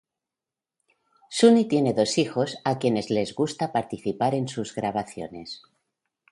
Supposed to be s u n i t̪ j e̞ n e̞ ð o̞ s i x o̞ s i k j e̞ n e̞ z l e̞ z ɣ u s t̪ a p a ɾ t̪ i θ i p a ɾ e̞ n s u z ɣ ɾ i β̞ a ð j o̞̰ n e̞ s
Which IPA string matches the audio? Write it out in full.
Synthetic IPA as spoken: s u n i t̪ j e̞ n e̞ ð o̞ s i x o̞ s a k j e̞ n e̞ z l e̞ z ɣ u s t̪ a p a ɾ t̪ i θ i p a ɾ e̞ n s u z ɣ ɾ a β̞ a θ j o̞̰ n e̞ s